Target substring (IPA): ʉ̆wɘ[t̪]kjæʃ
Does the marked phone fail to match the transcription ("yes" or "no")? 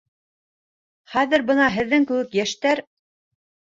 yes